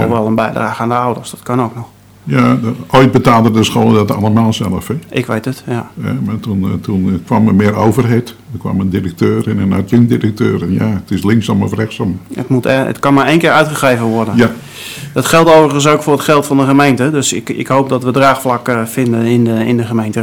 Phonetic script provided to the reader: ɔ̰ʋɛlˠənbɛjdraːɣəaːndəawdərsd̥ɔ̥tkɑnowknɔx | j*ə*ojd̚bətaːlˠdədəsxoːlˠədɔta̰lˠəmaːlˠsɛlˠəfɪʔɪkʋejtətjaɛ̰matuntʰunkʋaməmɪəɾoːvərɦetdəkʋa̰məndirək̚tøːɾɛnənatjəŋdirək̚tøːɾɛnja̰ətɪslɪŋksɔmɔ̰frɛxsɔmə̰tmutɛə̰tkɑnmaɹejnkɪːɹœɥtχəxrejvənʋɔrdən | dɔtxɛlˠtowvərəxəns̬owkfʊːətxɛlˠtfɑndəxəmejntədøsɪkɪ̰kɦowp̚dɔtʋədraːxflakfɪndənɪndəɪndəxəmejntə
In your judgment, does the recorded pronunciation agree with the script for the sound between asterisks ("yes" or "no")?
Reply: no